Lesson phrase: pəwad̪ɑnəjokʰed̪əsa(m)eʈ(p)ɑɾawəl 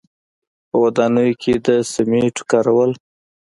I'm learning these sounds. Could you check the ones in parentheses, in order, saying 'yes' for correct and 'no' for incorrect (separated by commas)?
yes, no